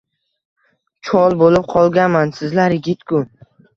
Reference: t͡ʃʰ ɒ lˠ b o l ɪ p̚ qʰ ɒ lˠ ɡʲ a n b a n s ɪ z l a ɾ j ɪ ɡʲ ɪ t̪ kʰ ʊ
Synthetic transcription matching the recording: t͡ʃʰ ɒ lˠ b o l ɪ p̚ qʰ ɒ lˠ ɡʲ a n m a n s ɪ z l a ɾ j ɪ ɡʲ ɪ t̪ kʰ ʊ

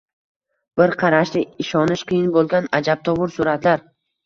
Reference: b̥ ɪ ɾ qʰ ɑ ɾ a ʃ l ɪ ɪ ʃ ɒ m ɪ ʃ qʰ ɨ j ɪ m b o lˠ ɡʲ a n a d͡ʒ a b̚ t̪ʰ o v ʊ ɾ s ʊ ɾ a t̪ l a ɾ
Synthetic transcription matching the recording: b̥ ɪ ɾ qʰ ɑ ɾ a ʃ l ɪ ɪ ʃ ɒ n ɪ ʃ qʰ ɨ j ɪ n b o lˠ ɡʲ a n a d͡ʒ a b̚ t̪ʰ ɒ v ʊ ɾ s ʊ ɾ a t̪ l a ɾ

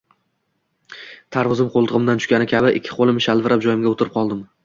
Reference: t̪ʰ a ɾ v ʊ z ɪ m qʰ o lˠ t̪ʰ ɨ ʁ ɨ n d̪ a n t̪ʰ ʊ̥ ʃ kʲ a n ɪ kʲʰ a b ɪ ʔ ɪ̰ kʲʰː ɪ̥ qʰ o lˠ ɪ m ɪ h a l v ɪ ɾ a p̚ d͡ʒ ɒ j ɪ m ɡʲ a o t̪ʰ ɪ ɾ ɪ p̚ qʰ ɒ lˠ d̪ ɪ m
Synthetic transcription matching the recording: t̪ʰ a ɾ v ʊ z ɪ m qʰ o lˠ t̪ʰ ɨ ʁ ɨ m d̪ a n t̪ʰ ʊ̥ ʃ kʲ a n ɪ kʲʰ a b ɪ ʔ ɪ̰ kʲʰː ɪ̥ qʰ o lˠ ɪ m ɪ ʃ a l v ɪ ɾ a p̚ d͡ʒ ɒ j ɪ m ɡʲ a o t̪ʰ ɪ ɾ ɪ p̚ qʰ ɒ lˠ d̪ ɪ m

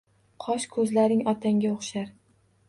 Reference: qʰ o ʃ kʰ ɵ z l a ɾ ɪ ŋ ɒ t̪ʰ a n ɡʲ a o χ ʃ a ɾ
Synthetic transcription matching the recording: qʰ ɒ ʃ kʰ ɵ z l a ɾ ɪ ŋ ɒ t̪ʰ a ŋ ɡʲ a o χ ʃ a ɾ

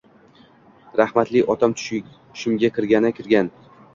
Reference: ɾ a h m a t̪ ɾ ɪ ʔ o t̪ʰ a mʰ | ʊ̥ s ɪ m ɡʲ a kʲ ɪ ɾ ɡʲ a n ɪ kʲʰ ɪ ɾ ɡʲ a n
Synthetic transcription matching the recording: ɾ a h m a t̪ l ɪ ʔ ɒ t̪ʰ a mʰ | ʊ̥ ʃ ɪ m ɡʲ a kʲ ɪ ɾ ɡʲ a n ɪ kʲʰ ɪ ɾ ɡʲ a n

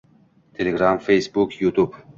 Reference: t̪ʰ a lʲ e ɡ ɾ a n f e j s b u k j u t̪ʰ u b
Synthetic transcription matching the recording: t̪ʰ e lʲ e ɡ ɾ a m f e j s b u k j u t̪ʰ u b

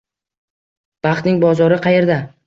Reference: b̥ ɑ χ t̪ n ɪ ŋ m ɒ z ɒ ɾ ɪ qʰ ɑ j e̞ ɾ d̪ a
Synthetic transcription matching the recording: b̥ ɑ χ t̪ n ɪ ŋ b ɒ z ɒ ɾ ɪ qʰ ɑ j e̞ ɾ d̪ a

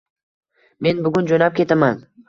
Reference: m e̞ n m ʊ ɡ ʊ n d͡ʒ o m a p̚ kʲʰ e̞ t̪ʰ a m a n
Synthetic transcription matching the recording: m e̞ n b ʊ ɡ ʊ n d͡ʒ o n a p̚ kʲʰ e̞ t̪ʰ a m a n

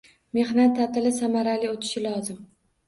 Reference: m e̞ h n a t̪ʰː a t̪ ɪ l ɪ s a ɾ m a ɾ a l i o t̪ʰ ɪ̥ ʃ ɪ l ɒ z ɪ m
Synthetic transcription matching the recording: m e̞ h n a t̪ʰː a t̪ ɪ l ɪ s a m a ɾ a l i o t̪ʰ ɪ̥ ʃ ɪ l ɒ z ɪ m

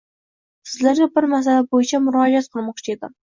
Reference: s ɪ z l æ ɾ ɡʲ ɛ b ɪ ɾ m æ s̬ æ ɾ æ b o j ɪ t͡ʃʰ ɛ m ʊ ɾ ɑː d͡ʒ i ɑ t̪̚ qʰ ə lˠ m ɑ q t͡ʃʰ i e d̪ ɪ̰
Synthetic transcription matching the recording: s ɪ z l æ ɾ ɡʲ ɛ b ɪ ɾ m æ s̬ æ l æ b o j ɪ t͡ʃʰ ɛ m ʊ ɾ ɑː d͡ʒ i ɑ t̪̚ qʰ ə lˠ m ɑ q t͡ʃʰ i e d̪ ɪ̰

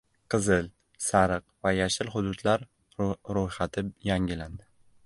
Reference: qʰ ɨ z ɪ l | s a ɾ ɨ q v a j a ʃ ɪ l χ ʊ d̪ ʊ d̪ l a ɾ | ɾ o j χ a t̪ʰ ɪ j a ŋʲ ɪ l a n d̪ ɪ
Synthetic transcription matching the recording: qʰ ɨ z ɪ l | s a ɾ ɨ q v a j a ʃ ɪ l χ ʊ d̪ ʊ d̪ l a ɾ | ɾ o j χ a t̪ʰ ɪ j a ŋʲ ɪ l a n d̪ ɪ

